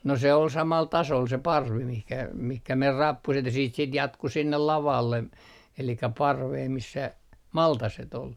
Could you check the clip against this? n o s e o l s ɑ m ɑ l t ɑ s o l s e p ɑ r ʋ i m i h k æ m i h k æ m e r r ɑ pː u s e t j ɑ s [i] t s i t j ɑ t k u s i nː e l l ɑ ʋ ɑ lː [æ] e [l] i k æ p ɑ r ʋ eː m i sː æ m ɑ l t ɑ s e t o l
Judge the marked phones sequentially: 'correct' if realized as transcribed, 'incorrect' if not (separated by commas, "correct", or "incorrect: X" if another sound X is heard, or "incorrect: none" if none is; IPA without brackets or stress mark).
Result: incorrect: iː, incorrect: e, correct